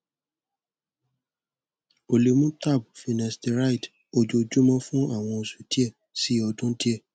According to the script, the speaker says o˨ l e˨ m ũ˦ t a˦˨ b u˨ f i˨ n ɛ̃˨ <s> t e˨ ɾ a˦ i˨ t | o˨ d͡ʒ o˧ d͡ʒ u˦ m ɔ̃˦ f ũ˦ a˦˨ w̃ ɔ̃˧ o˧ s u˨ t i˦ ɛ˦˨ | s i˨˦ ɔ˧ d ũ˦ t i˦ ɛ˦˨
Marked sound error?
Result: no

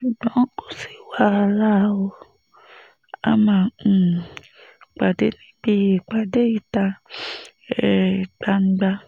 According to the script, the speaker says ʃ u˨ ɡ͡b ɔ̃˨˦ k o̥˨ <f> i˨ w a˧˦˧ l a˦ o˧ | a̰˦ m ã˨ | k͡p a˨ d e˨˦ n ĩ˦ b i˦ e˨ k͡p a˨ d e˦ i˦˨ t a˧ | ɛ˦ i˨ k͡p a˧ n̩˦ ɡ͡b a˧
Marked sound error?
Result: yes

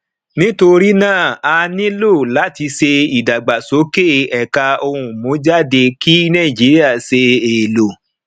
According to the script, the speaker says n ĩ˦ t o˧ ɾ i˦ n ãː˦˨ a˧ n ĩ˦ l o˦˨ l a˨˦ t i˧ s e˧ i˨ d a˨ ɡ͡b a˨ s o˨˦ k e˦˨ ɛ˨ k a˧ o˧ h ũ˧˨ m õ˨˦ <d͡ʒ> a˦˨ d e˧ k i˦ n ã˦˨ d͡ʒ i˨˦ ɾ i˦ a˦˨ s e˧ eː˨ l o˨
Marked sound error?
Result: no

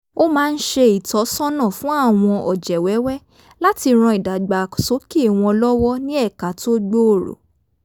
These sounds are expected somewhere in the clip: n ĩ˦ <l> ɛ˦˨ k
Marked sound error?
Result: yes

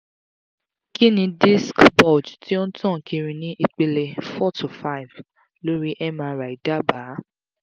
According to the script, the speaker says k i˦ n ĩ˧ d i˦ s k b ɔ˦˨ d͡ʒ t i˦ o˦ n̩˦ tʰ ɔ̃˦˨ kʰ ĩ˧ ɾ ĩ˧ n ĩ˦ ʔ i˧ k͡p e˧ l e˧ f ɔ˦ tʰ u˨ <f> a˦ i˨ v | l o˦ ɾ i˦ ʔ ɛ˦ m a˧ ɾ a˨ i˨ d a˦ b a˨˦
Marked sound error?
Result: no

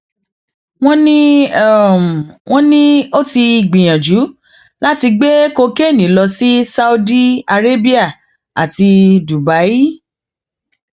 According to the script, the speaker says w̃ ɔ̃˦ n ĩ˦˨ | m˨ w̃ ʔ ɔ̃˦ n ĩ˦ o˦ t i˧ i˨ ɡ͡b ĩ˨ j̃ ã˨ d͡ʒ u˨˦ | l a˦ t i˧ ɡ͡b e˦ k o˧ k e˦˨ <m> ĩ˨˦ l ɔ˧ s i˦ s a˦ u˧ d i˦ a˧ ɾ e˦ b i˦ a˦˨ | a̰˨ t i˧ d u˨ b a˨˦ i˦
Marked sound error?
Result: yes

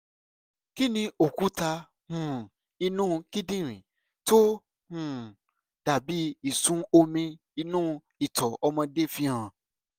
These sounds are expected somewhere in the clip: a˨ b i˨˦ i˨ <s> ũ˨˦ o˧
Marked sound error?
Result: no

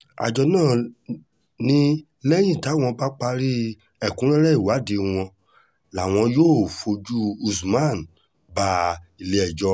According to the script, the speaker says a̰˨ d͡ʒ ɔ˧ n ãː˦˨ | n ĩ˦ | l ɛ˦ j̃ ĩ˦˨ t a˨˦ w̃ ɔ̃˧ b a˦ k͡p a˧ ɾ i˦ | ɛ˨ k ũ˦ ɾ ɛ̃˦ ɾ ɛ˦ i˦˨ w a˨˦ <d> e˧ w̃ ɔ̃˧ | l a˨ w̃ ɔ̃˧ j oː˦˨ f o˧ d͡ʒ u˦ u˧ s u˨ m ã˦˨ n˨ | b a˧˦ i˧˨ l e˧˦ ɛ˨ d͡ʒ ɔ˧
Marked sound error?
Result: no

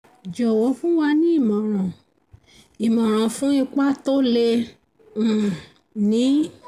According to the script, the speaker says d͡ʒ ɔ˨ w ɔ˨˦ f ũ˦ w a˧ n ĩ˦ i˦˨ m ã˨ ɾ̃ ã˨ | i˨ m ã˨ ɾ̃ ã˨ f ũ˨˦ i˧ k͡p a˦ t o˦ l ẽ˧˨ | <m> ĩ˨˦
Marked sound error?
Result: yes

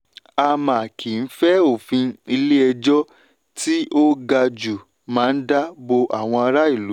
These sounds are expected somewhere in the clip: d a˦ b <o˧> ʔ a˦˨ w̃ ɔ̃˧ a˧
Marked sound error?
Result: no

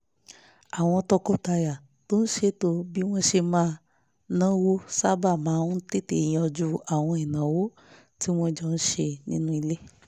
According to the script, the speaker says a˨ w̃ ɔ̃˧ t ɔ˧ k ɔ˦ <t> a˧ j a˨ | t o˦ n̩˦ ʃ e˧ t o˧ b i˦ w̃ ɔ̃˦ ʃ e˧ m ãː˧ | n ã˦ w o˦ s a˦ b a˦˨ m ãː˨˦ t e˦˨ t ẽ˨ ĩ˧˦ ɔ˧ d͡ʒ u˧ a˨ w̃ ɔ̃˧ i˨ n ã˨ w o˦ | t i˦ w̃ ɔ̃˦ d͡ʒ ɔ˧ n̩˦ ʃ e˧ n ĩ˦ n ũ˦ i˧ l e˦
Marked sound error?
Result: no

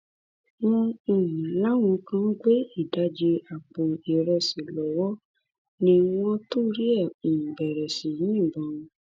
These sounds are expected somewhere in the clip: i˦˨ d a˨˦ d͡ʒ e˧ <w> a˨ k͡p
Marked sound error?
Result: yes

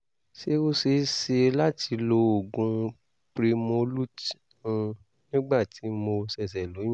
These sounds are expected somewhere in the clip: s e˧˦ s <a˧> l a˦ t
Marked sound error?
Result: yes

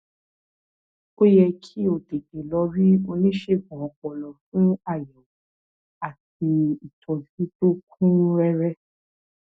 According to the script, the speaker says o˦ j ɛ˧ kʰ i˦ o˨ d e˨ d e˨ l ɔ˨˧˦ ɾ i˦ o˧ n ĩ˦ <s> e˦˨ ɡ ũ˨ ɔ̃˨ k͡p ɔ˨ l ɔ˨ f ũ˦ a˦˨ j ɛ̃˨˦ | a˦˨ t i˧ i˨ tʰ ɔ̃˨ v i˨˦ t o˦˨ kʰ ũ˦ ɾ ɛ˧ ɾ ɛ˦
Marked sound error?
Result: yes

